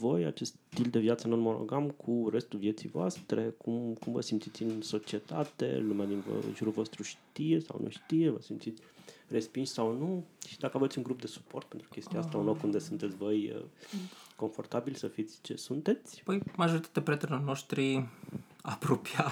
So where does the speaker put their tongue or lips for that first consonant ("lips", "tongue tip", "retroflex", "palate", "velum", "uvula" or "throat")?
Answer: lips